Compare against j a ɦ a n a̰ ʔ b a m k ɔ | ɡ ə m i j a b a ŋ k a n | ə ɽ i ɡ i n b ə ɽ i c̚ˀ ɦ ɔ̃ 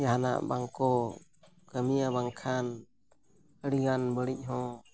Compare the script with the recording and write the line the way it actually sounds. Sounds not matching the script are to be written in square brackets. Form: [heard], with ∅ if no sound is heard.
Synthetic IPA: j a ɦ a n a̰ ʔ b a [ŋ] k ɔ | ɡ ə m i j a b a ŋ [kʰ] a n | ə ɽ i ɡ [a] n b ə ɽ i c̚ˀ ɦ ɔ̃